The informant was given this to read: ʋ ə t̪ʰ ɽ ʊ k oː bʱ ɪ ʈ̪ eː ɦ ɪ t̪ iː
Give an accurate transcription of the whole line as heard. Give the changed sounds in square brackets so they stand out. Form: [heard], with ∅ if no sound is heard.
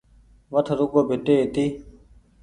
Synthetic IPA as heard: ʋ ə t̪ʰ [ɾ] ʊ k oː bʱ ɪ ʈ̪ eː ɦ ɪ t̪ iː

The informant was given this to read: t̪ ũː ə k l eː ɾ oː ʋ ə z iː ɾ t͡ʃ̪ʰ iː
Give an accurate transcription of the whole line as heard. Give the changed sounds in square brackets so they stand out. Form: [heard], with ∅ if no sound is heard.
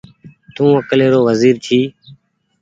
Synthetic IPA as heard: t̪ ũː ə k l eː ɾ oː ʋ ə z iː ɾ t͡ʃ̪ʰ iː

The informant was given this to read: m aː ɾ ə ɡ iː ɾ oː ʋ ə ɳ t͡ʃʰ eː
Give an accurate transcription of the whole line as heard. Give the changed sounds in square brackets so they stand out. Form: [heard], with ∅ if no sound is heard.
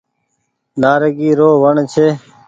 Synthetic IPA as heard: [n] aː ɾ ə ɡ iː ɾ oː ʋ ə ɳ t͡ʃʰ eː

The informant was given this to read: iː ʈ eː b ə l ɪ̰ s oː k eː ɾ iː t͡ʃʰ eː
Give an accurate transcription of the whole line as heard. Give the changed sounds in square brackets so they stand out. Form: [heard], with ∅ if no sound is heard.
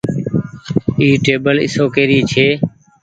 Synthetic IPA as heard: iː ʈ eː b ə l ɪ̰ s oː k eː ɾ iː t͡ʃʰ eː

